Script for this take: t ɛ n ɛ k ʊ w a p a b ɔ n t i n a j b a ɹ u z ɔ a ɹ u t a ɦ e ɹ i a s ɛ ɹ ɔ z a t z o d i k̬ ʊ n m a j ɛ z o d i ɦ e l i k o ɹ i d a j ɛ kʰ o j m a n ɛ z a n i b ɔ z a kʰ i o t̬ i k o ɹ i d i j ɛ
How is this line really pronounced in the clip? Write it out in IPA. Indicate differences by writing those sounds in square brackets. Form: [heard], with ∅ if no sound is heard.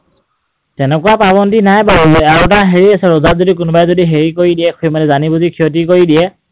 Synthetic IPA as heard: t ɛ n ɛ k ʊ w a p a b ɔ n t i n a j b a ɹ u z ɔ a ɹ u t a ɦ e ɹ i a s ɛ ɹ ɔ z a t z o d i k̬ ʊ n [b] a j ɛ z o d i ɦ e [ɹ] i k o ɹ i d [i] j ɛ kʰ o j m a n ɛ z a n i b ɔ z [i] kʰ i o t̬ i k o ɹ i d i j ɛ